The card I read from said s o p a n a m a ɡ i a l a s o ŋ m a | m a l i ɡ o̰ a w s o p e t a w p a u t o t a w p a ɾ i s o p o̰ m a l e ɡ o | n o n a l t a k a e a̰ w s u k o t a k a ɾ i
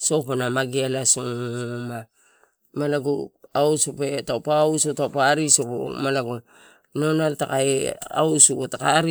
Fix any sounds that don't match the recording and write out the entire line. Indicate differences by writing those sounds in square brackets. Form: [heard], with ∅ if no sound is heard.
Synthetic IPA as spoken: s o p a n a m a ɡ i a l a s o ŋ m a | m a l [a] ɡ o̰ a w s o p e t a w p a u [s] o t a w p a ɾ i s o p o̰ m a l [a] ɡ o | n o n a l t a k a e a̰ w s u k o t a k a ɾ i